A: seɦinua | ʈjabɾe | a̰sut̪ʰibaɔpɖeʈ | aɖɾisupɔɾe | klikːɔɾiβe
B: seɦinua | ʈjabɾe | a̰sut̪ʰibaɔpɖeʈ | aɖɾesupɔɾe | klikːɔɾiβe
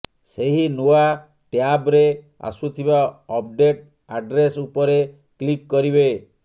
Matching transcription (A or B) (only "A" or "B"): B